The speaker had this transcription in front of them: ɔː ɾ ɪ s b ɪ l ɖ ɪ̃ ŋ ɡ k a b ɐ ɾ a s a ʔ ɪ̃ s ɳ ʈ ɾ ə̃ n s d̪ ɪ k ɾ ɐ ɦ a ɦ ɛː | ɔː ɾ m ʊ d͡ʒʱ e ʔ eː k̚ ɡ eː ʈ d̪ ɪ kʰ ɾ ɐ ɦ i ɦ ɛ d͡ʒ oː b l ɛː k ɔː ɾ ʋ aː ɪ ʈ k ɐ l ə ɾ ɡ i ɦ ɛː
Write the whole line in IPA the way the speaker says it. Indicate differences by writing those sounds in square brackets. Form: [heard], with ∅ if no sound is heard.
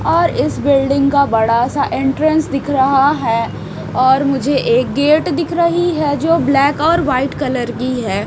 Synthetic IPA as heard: ɔː ɾ ɪ s b ɪ l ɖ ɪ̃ ŋ ɡ k a b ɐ [ɽ] a s a ʔ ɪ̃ [∅] ɳ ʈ ɾ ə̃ n s d̪ ɪ [kʰ] ɾ ɐ ɦ a ɦ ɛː | ɔː ɾ m ʊ d͡ʒʱ e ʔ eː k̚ ɡ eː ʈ d̪ ɪ kʰ ɾ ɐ ɦ i ɦ ɛ d͡ʒ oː b l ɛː k ɔː ɾ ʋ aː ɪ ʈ k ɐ l ə ɾ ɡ i ɦ ɛː